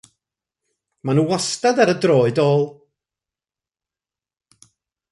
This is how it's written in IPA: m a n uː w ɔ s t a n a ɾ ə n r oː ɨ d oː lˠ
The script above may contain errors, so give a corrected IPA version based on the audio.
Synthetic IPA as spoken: m a n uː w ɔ s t a d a ɾ ə d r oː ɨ d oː lˠ